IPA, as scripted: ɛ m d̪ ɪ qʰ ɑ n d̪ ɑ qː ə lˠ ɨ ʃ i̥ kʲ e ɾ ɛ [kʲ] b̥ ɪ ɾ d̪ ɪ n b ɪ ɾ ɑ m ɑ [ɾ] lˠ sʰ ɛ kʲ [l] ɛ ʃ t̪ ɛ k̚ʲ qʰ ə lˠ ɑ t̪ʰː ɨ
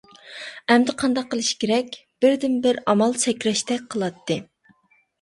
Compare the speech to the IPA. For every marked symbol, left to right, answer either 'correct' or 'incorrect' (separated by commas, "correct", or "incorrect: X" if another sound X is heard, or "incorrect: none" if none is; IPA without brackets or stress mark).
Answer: correct, incorrect: none, incorrect: ɾ